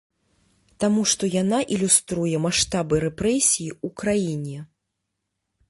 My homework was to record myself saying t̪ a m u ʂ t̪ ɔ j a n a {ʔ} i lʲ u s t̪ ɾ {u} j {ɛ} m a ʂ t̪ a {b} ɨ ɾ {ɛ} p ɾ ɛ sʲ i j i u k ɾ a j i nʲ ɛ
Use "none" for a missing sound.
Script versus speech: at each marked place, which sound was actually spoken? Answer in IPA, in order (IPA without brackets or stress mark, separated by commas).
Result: ʔ, u, ɛ, b, ɛ